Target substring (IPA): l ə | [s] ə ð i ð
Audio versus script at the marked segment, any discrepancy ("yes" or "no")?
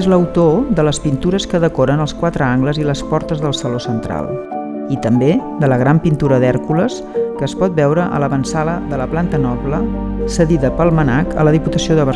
no